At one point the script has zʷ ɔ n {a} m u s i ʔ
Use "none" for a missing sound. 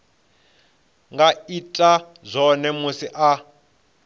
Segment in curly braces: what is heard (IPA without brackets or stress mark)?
ɛ